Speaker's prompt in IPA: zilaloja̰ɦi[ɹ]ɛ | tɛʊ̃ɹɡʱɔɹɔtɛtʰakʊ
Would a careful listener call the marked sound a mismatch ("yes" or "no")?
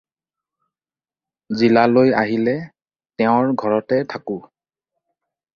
yes